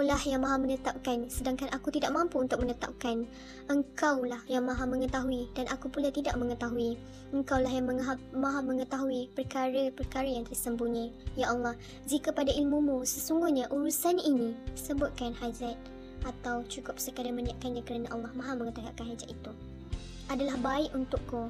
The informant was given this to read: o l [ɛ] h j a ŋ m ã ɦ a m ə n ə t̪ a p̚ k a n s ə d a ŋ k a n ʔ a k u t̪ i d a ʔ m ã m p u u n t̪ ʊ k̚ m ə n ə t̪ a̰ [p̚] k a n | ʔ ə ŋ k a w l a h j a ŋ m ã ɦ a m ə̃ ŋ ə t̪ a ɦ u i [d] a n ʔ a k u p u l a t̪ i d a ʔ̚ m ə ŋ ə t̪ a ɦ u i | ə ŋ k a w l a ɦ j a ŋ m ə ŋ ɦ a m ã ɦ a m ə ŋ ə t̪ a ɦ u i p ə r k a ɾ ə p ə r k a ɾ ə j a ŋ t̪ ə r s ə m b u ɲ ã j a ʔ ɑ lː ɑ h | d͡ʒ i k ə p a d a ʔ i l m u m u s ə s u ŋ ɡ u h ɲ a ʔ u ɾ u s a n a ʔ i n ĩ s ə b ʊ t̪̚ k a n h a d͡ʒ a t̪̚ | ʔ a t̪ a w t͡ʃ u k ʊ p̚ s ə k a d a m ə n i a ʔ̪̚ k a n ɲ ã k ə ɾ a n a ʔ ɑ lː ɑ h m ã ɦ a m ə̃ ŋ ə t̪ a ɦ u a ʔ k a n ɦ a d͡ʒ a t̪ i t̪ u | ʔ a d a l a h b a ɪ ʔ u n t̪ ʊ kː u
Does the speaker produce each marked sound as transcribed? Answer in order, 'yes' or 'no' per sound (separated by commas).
no, yes, yes